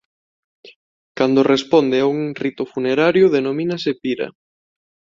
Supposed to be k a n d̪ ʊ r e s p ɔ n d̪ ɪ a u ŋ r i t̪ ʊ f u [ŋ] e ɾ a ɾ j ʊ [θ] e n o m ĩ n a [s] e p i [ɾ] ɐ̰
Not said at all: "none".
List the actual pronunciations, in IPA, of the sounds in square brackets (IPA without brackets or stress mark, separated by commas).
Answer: n, ð, s, ɾ